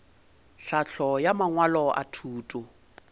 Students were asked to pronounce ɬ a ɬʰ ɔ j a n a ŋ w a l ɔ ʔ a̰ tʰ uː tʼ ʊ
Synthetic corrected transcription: ɬ a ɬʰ ɔ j a m a ŋ w a l ɔ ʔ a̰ tʰ uː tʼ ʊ